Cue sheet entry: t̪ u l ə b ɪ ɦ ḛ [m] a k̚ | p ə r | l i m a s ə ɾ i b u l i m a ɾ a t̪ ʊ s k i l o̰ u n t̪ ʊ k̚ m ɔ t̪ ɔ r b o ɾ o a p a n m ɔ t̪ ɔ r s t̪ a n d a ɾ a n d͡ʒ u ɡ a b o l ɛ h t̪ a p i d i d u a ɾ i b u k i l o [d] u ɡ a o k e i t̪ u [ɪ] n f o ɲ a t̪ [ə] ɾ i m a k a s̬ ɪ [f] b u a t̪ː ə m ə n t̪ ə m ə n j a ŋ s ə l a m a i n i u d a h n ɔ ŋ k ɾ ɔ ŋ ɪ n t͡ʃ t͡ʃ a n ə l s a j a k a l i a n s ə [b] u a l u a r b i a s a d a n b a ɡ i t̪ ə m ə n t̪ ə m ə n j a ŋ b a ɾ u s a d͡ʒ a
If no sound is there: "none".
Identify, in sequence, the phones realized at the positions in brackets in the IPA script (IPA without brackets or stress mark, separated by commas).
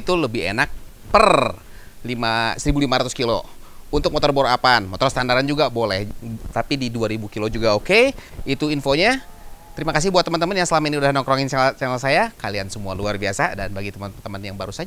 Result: n, d͡ʒ, i, ə, h, m